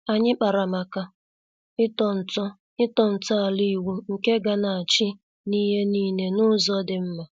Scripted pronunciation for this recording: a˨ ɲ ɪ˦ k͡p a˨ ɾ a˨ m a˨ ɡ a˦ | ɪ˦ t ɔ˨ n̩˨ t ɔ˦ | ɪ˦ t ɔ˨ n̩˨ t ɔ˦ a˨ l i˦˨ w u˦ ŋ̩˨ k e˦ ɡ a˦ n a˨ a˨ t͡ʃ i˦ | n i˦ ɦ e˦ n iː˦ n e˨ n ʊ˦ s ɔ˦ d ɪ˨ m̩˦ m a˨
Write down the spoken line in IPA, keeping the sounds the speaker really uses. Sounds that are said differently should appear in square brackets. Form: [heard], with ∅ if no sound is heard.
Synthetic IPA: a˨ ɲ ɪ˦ k͡p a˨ ɾ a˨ m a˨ [k] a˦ | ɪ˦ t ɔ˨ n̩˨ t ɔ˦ | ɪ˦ t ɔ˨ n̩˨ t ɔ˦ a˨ l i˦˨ w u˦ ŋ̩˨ k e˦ ɡ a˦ n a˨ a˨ t͡ʃ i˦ | n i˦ ɦ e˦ n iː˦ n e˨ n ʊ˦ [z] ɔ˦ d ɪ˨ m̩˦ m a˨